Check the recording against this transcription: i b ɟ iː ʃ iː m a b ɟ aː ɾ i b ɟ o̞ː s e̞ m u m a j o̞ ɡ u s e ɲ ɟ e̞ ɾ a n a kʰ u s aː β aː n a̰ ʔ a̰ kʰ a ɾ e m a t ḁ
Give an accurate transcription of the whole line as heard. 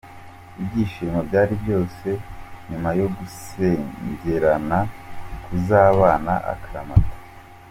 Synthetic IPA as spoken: i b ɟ iː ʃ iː m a b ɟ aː ɾ i b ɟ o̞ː s e̞ ɲ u m a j o̞ ɡ u s e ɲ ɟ e̞ ɾ a n a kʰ u z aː β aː n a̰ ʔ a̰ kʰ a ɾ a m a t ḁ